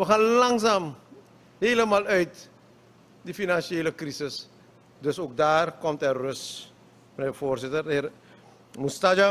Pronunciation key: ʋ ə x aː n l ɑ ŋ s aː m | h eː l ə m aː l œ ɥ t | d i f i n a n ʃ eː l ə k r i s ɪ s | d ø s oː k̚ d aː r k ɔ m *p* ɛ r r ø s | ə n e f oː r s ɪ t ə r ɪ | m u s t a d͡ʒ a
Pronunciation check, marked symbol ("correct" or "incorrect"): incorrect